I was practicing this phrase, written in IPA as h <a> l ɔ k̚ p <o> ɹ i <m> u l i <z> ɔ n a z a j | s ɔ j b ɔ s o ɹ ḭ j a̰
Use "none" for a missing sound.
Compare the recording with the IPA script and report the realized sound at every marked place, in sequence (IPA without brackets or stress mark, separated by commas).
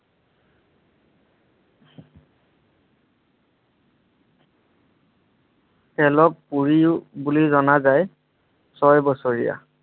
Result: ɛ, u, b, z